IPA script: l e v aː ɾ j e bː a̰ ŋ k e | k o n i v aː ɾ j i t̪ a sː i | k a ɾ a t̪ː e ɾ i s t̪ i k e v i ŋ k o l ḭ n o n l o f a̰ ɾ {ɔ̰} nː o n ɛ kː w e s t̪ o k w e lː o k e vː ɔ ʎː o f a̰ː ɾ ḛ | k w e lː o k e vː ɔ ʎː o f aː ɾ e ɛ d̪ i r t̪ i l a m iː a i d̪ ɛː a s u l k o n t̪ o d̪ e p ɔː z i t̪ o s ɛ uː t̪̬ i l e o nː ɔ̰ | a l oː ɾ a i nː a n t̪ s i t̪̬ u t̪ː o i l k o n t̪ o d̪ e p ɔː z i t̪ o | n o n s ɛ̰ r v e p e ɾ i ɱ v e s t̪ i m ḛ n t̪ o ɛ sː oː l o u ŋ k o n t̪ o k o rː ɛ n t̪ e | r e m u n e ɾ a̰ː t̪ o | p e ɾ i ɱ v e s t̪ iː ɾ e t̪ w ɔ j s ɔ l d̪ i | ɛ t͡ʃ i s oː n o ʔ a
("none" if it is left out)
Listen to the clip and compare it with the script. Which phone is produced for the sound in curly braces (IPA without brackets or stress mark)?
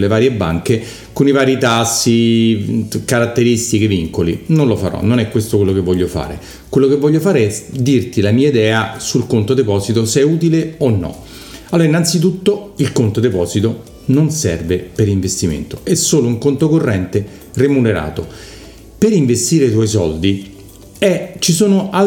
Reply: ɔ̰